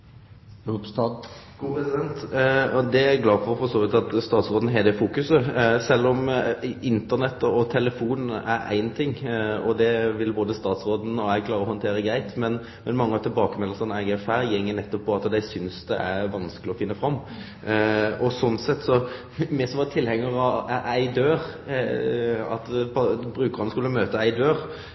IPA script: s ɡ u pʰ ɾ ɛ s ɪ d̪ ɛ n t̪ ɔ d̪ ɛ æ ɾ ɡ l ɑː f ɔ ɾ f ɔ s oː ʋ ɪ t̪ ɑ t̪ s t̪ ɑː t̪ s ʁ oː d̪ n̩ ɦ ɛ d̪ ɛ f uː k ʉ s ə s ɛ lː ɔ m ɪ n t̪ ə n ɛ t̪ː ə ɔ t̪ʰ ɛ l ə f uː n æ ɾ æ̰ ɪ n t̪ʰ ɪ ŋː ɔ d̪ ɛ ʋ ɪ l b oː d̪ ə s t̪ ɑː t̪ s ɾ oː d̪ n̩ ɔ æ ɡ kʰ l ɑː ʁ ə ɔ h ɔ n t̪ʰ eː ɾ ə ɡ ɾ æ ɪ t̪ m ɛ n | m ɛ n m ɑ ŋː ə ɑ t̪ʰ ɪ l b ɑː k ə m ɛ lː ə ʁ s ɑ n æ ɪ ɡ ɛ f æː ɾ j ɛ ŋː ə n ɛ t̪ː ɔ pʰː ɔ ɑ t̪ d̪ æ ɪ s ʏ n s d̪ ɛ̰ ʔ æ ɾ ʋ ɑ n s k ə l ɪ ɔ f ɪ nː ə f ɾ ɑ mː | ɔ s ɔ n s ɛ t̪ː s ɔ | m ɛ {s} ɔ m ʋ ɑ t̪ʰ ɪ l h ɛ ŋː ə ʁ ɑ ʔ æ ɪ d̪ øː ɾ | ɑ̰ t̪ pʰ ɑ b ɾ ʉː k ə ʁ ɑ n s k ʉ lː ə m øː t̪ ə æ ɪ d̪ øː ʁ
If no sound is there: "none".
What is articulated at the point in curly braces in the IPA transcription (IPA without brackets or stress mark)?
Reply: s